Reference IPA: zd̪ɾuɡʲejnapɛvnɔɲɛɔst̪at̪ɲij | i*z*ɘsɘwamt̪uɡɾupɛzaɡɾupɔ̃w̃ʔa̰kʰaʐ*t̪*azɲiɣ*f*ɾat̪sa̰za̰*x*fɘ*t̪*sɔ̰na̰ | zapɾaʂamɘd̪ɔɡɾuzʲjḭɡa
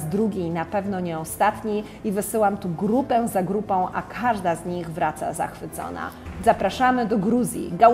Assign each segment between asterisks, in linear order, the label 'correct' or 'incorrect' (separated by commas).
incorrect, incorrect, incorrect, correct, correct